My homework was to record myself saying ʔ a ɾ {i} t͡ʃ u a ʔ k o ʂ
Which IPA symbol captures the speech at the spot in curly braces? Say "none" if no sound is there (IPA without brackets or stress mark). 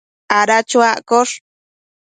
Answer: a